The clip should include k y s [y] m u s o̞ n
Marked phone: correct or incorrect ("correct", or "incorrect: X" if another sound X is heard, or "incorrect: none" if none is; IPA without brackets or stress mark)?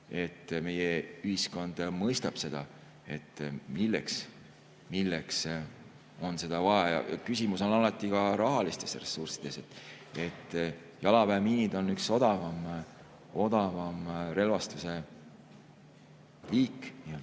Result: incorrect: i